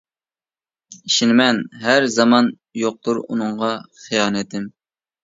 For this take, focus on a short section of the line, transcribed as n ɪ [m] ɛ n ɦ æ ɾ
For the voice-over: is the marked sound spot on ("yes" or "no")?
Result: yes